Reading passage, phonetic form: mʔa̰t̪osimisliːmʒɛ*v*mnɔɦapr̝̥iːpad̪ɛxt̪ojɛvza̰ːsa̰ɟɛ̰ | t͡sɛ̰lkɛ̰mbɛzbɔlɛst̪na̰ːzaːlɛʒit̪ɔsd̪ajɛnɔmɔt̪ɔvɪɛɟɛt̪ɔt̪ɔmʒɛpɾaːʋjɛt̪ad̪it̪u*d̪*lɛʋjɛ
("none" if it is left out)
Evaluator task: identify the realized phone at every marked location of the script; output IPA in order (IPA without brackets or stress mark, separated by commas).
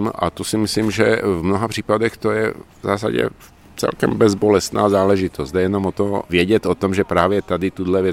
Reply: v, d̪